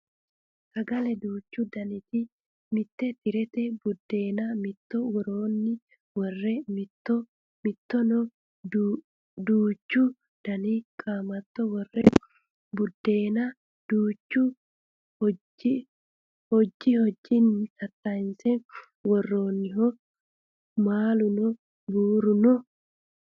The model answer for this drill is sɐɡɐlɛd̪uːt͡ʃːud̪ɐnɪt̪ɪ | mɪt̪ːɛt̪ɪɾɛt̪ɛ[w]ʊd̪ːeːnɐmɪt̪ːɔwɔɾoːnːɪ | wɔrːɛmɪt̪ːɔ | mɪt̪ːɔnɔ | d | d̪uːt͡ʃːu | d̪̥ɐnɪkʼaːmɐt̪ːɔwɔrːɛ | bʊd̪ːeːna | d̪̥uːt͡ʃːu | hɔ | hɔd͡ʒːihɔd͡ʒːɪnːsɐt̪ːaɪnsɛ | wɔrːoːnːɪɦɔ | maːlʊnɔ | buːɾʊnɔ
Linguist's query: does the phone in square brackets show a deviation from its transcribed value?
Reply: yes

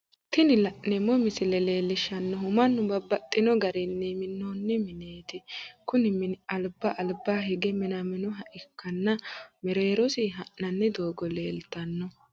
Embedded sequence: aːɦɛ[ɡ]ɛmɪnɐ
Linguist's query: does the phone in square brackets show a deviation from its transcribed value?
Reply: no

